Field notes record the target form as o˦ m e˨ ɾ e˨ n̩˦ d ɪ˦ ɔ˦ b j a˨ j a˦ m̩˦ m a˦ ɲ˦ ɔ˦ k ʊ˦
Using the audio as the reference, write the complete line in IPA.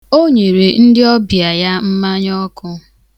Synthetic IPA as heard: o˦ ɲ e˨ ɾ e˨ n̩˦ d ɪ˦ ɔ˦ b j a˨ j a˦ m̩˦ m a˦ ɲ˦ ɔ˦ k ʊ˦